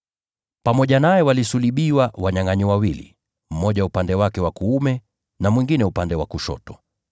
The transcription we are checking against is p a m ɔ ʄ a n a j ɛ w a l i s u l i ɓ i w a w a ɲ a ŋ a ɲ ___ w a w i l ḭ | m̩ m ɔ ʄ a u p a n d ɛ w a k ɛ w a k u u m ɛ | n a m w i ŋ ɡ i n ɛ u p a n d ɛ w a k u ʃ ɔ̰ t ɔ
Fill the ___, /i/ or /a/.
i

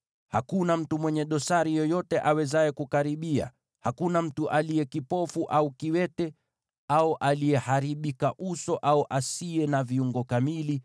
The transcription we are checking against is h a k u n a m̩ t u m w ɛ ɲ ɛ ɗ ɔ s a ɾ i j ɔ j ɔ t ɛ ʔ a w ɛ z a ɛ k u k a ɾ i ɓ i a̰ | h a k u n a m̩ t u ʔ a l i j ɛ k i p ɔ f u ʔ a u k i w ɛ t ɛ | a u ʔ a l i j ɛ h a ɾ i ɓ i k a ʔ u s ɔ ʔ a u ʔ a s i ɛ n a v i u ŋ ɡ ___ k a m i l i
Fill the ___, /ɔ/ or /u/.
ɔ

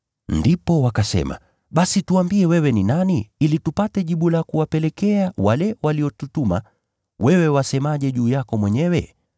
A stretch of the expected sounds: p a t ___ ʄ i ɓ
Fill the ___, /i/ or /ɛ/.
ɛ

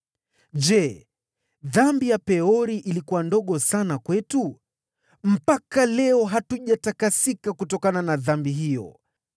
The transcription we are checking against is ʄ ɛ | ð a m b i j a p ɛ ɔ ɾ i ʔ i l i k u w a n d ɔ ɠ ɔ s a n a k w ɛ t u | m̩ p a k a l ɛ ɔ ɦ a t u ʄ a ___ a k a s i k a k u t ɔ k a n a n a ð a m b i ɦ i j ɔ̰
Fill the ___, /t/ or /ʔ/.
t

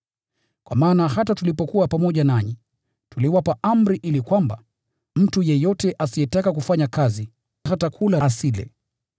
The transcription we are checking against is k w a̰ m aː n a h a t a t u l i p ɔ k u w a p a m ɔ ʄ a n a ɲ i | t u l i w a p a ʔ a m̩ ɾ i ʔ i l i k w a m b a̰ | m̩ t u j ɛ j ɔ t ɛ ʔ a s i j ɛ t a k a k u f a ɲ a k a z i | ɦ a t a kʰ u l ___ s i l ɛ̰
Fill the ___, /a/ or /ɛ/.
a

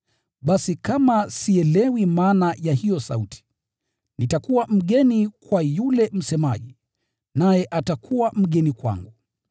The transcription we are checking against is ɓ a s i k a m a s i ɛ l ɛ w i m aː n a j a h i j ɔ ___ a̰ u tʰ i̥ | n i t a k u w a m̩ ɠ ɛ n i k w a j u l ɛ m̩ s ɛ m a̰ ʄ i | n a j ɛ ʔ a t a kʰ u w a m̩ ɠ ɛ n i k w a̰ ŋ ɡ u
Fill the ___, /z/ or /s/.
s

